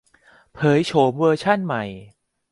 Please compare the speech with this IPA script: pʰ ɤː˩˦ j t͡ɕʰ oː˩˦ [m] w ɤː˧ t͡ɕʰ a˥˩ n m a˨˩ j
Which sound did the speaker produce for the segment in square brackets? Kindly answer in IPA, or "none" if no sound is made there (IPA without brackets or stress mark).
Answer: m